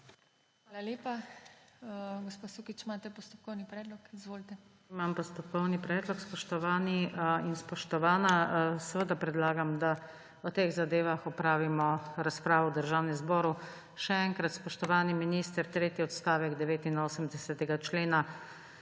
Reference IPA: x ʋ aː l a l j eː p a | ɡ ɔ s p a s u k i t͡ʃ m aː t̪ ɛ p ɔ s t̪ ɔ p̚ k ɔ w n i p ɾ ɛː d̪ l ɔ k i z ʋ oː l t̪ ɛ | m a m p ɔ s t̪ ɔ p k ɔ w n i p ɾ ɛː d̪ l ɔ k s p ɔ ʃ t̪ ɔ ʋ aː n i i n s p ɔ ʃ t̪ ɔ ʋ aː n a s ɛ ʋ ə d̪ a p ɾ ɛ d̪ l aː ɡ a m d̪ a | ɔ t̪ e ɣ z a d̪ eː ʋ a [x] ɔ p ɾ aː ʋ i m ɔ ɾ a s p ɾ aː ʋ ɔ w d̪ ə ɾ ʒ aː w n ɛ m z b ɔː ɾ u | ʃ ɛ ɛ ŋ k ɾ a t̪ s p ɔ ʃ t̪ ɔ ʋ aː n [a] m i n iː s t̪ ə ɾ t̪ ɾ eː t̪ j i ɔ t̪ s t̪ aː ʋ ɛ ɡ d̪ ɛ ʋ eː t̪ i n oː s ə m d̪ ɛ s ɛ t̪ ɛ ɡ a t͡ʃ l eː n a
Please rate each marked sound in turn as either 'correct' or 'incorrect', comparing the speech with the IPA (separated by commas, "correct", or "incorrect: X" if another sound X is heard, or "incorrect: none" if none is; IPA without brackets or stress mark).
correct, incorrect: i